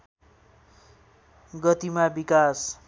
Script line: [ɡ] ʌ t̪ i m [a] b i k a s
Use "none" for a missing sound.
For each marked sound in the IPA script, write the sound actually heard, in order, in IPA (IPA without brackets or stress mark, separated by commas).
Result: ɡ, a